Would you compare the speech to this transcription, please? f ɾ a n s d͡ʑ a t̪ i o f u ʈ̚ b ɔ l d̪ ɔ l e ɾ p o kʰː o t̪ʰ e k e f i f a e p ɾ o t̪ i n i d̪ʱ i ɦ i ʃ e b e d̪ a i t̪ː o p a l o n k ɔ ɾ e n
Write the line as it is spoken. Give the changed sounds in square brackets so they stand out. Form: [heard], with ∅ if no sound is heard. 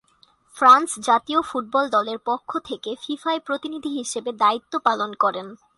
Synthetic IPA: f ɾ a n s d͡ʑ a t̪ i o f u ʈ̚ b ɔ l d̪ ɔ l e ɾ p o kʰː o t̪ʰ e k e f i f a e p ɾ o t̪ i n i d̪ʱ i ɦ i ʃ e b e d̪ a i t̪ː o p a l o n k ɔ ɾ e n